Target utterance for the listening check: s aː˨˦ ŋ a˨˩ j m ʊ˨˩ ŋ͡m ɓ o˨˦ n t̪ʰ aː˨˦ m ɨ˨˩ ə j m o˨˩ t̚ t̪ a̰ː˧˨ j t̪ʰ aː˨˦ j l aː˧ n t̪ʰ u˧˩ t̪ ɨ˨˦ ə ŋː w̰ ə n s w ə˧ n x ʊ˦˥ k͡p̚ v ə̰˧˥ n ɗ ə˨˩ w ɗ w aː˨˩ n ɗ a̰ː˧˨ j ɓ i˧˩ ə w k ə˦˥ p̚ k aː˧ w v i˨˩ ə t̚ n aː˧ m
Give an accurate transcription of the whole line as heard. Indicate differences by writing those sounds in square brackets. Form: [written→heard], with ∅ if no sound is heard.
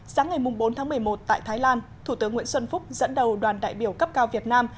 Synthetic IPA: s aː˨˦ ŋ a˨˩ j m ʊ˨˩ ŋ͡m ɓ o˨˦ n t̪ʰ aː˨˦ m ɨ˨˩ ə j m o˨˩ t̚ t̪ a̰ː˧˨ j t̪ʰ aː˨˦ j l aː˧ n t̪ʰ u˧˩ t̪ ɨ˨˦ ə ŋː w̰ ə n s w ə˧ n [x→f] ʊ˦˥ k͡p̚ [v→z] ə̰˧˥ n ɗ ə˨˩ w ɗ w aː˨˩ n ɗ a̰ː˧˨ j ɓ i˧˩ ə w k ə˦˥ p̚ k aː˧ w v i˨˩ ə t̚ n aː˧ m